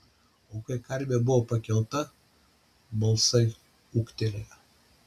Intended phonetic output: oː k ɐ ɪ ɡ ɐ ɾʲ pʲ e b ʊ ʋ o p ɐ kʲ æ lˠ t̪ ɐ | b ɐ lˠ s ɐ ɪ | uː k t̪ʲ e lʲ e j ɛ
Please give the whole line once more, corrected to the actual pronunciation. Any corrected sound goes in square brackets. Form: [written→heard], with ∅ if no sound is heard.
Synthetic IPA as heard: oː k ɐ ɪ [ɡ→k] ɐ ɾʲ [pʲ→bʲ] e b ʊ ʋ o p ɐ kʲ [æ→ɛ] lˠ t̪ ɐ | b ɐ lˠ s ɐ ɪ | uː k t̪ʲ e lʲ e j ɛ

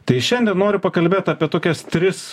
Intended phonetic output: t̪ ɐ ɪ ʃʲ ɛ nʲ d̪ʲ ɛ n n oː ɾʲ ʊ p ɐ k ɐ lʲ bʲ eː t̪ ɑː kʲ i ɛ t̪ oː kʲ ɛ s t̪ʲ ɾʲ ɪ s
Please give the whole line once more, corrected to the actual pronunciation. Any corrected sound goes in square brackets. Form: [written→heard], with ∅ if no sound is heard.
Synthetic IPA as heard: t̪ ɐ ɪ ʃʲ ɛ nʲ d̪ʲ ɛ n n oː ɾʲ ʊ p ɐ k ɐ lʲ bʲ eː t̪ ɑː [kʲ→pʲ] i ɛ t̪ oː kʲ ɛ s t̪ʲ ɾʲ ɪ s

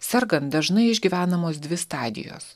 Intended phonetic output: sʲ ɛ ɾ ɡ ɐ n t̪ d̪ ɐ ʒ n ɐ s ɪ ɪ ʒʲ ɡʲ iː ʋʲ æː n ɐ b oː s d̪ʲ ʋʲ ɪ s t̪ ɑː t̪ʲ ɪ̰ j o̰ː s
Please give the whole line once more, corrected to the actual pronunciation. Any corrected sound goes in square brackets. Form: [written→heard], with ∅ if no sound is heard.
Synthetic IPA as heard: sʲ ɛ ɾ ɡ ɐ n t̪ d̪ ɐ ʒ n ɐ [s→∅] ɪ ɪ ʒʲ ɡʲ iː ʋʲ æː n ɐ [b→m] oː s d̪ʲ ʋʲ ɪ s t̪ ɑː [t̪ʲ→d̪ʲ] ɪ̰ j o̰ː s

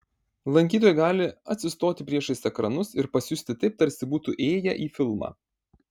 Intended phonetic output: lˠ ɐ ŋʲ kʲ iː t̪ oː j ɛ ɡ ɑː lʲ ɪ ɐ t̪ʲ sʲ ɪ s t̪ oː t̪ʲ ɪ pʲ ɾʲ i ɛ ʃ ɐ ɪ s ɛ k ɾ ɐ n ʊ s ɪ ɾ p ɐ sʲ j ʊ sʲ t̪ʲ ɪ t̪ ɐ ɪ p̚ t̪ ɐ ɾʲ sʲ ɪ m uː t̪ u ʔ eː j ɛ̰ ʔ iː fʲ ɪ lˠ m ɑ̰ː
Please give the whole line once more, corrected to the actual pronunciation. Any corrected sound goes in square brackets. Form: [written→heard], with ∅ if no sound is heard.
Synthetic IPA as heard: lˠ ɐ ŋʲ kʲ iː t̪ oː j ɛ ɡ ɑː lʲ ɪ ɐ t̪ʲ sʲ ɪ s t̪ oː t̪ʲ ɪ pʲ ɾʲ i ɛ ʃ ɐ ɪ s ɛ k ɾ ɐ n ʊ s ɪ ɾ p ɐ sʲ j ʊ sʲ t̪ʲ ɪ t̪ ɐ ɪ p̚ t̪ ɐ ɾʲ sʲ ɪ [m→b] uː t̪ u ʔ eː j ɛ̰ ʔ iː fʲ ɪ lˠ m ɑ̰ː

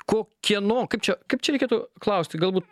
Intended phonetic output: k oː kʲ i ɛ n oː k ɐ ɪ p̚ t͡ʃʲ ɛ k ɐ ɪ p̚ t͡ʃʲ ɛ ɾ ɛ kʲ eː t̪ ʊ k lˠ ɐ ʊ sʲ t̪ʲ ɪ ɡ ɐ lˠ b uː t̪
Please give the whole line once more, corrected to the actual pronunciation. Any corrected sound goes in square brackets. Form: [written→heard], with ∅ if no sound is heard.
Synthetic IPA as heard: k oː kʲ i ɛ n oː k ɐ ɪ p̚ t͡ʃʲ ɛ k ɐ ɪ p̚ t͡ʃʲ ɛ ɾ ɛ kʲ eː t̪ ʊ k lˠ ɐ ʊ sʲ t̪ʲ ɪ ɡ ɐ lˠ b uː t̪

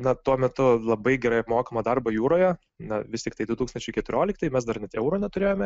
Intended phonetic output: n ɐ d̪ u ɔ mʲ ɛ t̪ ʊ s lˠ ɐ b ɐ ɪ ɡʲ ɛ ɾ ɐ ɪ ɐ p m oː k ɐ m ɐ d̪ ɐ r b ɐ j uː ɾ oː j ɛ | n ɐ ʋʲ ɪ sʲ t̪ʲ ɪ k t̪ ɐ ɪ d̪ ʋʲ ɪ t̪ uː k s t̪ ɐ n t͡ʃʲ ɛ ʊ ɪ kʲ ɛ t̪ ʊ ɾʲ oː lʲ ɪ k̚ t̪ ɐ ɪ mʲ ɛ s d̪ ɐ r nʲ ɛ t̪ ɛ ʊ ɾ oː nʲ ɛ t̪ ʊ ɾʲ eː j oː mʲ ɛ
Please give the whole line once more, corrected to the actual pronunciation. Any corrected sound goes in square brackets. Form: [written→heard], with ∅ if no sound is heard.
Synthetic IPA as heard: n ɐ [d̪→t̪] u ɔ mʲ ɛ t̪ ʊ [s→∅] lˠ ɐ b ɐ ɪ ɡʲ ɛ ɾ ɐ ɪ ɐ p m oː k ɐ m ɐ d̪ ɐ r b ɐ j uː ɾ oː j ɛ | n ɐ ʋʲ ɪ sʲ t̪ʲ ɪ k t̪ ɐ ɪ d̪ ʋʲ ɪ t̪ uː k s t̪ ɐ n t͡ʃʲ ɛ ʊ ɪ kʲ ɛ t̪ ʊ ɾʲ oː lʲ ɪ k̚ t̪ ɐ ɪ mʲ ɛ s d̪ ɐ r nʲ ɛ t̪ ɛ ʊ ɾ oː nʲ ɛ t̪ ʊ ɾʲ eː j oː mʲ ɛ

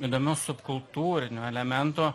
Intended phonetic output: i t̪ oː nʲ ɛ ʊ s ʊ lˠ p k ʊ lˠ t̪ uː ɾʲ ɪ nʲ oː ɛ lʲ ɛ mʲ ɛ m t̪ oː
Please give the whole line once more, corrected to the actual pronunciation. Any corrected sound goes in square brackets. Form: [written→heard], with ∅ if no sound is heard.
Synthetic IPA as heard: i [t̪→d̪] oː [nʲ→mʲ] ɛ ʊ s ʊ [lˠ→∅] p k ʊ lˠ t̪ uː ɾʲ ɪ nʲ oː ɛ lʲ ɛ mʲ ɛ [m→n] t̪ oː

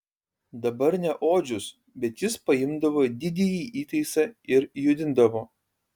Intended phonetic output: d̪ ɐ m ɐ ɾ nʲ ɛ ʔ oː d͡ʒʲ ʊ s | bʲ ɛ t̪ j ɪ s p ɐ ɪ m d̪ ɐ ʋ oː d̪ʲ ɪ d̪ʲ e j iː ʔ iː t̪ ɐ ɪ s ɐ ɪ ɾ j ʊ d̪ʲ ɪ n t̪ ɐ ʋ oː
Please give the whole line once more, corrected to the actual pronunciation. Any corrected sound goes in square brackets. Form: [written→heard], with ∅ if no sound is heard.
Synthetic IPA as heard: d̪ ɐ [m→b] ɐ ɾ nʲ ɛ ʔ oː d͡ʒʲ ʊ s | bʲ ɛ t̪ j ɪ s p ɐ ɪ m d̪ ɐ ʋ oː d̪ʲ ɪ d̪ʲ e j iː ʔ iː t̪ ɐ ɪ s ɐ ɪ ɾ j ʊ d̪ʲ ɪ n [t̪→d̪] ɐ ʋ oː

